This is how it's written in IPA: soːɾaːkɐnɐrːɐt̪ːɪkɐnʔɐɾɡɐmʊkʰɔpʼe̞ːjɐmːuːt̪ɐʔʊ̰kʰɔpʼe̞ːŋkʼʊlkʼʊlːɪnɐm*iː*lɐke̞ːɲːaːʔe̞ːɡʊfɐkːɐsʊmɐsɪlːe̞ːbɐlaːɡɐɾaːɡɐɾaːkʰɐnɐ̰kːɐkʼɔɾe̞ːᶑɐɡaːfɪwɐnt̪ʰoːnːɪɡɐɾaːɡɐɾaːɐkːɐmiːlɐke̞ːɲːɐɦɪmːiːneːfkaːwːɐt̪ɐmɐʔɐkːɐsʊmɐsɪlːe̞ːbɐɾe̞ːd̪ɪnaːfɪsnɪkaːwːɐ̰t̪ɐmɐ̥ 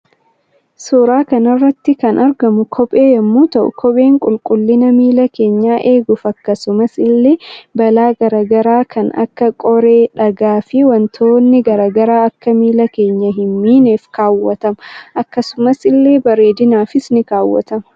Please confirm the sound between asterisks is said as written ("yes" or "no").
yes